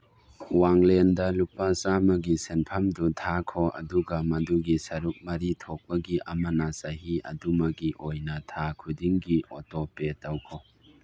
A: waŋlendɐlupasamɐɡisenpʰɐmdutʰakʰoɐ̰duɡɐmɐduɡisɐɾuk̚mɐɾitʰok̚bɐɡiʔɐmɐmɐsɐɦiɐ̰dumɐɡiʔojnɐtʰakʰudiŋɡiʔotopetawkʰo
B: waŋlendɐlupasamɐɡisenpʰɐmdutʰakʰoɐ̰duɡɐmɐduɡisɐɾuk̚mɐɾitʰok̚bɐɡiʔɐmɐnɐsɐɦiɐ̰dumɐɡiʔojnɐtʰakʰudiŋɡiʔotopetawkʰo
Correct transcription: B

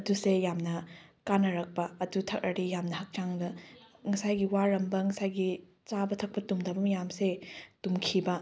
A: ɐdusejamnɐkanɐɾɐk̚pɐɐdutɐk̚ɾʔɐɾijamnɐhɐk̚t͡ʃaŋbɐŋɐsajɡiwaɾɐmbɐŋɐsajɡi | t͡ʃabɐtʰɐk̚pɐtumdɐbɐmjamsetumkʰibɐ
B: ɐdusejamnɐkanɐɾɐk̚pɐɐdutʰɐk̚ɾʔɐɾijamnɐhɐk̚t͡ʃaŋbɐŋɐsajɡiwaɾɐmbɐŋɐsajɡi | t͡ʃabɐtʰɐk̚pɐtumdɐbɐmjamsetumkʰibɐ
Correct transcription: B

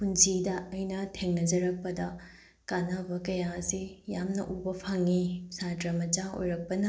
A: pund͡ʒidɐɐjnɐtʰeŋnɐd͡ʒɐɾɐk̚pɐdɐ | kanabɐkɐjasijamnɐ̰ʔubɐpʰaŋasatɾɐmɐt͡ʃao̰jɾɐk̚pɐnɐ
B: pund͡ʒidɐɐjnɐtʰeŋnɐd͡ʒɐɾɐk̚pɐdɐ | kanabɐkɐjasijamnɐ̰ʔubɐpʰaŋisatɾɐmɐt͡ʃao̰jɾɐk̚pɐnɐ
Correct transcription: B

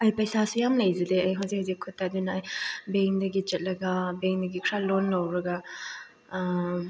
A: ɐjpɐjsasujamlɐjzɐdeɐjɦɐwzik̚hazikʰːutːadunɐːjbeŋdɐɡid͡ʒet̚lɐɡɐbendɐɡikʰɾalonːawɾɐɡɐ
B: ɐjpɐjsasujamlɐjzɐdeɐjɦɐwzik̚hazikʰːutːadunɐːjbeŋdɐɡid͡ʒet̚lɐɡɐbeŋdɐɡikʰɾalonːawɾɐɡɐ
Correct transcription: B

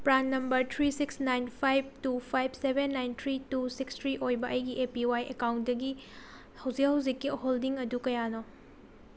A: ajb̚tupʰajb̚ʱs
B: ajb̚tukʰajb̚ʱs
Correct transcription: A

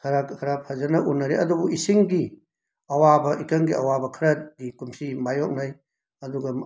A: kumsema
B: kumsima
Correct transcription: B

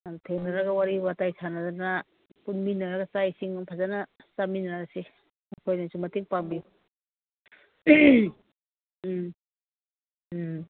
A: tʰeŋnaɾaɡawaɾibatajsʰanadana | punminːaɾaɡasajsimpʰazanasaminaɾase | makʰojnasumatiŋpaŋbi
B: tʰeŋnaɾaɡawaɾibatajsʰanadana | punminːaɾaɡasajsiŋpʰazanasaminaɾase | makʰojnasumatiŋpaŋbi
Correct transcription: B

